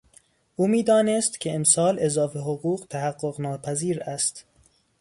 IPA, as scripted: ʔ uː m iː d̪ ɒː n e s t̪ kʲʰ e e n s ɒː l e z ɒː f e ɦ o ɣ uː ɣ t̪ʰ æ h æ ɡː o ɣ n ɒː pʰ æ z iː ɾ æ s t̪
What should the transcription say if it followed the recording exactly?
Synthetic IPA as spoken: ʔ uː m iː d̪ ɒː n e s t̪ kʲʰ e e m s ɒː l e z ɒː f e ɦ o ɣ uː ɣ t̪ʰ æ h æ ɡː o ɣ n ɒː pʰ æ z iː ɾ æ s t̪